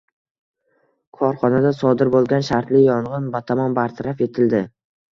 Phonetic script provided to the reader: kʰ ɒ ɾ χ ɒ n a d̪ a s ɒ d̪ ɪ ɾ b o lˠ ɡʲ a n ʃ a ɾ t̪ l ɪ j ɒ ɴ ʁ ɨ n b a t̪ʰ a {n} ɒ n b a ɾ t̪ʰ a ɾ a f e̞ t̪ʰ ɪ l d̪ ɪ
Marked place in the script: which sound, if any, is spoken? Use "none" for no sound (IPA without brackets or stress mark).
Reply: m